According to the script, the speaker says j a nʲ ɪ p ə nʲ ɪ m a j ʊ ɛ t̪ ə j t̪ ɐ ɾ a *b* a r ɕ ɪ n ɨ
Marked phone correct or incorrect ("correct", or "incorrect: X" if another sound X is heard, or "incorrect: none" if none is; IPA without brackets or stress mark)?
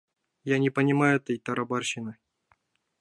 correct